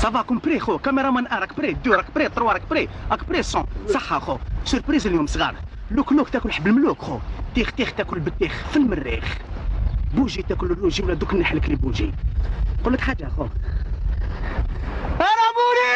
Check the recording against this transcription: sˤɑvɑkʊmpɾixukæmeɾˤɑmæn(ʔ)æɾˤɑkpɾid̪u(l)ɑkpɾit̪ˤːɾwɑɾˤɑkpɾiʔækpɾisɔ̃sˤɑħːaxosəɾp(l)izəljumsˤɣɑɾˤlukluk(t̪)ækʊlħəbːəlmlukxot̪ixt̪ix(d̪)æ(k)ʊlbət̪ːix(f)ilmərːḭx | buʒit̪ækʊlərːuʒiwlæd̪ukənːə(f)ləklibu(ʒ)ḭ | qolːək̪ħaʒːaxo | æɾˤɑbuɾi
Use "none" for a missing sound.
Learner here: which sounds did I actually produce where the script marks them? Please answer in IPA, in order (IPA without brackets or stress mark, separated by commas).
ʔ, ɾ, ɾ, t̪, t̪, k, f, ħ, ʒ